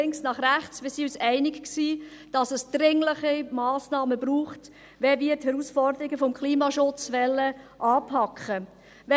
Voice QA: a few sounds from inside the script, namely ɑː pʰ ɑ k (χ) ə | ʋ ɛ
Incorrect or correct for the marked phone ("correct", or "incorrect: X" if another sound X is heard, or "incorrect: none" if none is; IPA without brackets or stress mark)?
correct